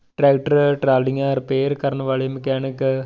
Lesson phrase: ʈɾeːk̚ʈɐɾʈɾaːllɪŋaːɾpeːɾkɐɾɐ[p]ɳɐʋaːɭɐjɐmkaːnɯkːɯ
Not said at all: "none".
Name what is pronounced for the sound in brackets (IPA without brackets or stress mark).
none